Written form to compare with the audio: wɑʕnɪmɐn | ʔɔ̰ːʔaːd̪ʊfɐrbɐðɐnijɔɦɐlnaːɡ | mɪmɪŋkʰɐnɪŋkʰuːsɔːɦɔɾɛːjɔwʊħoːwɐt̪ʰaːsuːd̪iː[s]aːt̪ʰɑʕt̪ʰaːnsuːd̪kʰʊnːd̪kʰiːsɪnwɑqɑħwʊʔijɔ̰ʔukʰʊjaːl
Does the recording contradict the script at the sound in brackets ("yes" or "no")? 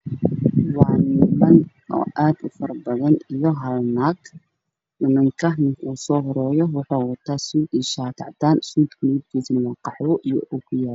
yes